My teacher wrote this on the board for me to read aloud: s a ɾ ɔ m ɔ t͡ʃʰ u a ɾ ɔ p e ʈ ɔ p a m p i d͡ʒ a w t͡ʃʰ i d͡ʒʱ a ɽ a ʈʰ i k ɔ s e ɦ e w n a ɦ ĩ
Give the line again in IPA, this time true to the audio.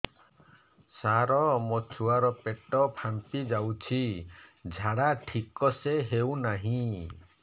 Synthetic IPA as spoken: s a ɾ ɔ m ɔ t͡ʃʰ u a ɾ ɔ p e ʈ ɔ pʰ a m p i d͡ʒ a w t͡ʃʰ i d͡ʒʱ a ɽ a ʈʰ i k ɔ s e ɦ e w n a ɦ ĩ